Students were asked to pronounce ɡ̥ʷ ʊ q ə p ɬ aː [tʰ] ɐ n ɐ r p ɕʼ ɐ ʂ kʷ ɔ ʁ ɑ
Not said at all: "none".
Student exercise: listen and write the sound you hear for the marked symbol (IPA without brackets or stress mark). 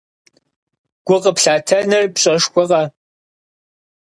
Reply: tʰ